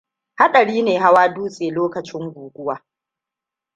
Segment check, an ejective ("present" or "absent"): present